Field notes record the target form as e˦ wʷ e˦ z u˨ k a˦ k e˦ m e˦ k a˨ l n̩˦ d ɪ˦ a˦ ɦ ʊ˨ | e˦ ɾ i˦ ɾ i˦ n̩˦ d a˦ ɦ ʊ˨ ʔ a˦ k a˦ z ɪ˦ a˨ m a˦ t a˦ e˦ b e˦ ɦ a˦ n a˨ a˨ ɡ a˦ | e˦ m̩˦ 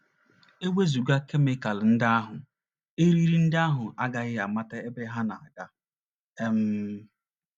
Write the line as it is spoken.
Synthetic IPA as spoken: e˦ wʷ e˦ z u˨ ɡ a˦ k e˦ m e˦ k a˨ l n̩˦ d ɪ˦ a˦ ɦ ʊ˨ | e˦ ɾ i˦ ɾ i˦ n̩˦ d a˦ ɦ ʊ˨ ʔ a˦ ɡ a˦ ɣ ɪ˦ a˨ m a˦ t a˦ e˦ b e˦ ɦ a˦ n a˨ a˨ ɡ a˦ | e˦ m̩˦